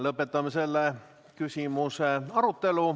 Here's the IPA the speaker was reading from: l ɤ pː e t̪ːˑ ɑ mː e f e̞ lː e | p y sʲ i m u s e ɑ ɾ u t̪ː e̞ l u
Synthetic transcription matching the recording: l ɤ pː e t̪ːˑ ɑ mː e s e̞ lː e | k y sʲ i m u s e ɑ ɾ u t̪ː e̞ l u